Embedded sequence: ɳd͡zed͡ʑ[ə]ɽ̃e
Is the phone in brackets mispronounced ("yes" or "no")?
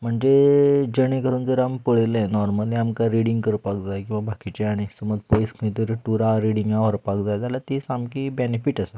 no